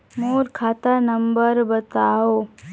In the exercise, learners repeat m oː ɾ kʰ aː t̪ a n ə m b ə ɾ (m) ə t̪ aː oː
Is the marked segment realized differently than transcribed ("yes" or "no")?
yes